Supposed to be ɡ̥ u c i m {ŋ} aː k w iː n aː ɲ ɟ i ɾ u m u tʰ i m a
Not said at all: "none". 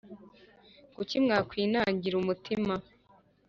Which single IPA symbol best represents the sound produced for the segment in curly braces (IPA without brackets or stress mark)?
ŋ